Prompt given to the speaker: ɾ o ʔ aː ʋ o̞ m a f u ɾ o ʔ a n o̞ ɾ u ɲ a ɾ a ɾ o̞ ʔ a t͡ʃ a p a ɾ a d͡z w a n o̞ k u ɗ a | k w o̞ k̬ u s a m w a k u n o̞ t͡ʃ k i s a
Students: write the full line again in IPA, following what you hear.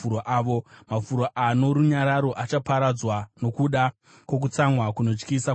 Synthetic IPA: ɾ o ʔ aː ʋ o̞ m a f u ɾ o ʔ a n o̞ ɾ u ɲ a ɾ a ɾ o̞ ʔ a t͡ʃ a p a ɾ a d͡z w a n o̞ k u ɗ a | k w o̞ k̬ u t͡s a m w a k u n o̞ t͡ʃ k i s a